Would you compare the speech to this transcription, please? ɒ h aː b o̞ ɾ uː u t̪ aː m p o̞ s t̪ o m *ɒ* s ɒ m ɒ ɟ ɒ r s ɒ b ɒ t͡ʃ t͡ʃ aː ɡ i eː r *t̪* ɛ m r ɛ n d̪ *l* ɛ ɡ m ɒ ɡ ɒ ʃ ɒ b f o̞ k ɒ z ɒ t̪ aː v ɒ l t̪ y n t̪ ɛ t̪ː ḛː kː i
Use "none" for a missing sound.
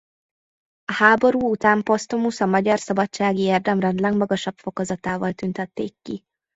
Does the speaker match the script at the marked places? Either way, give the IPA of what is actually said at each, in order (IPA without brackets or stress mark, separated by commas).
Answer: u, d̪, l